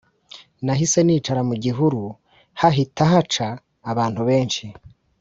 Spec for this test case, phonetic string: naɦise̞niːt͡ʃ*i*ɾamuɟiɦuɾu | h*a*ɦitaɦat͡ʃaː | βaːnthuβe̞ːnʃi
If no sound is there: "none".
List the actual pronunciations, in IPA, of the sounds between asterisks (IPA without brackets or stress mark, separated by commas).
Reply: a, a